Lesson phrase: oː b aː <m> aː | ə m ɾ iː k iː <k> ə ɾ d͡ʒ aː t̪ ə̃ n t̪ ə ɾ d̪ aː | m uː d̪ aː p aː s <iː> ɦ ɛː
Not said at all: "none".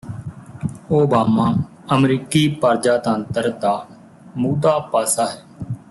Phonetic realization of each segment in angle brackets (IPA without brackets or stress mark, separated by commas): m, p, aː